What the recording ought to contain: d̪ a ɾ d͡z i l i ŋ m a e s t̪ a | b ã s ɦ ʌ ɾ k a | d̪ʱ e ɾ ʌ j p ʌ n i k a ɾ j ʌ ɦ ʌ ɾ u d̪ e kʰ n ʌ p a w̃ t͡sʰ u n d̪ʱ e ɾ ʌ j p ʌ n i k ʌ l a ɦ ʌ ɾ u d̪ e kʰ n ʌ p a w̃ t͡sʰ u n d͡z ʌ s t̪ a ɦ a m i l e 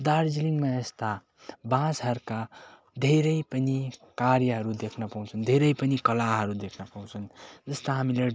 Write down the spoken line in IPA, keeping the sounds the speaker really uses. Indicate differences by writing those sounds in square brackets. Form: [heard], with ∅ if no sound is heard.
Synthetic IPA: d̪ a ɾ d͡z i l i ŋ m a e s t̪ a | b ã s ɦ ʌ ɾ k a | d̪ʱ e ɾ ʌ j p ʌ n i k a ɾ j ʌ ɦ ʌ ɾ u d̪ e kʰ n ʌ p a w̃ t͡sʰ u n d̪ʱ e ɾ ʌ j p ʌ n i k ʌ l a ɦ ʌ ɾ u d̪ e kʰ n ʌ p a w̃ t͡sʰ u n d͡z ʌ s t̪ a ɦ a m i l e